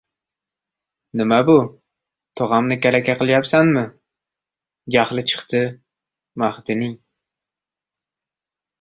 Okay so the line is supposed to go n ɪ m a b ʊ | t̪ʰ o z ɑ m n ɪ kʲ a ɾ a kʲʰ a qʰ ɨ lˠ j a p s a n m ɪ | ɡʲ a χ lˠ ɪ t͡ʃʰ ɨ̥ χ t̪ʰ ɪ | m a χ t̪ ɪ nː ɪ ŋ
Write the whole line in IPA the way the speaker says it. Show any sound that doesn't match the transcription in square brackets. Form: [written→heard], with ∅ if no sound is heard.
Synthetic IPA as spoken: n ɪ m a b ʊ | t̪ʰ o [z→ʁ] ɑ m n ɪ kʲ a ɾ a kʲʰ a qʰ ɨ lˠ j a p s a n m ɪ | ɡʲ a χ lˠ ɪ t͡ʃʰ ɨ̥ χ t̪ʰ ɪ | m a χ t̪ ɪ [nː→n] ɪ ŋ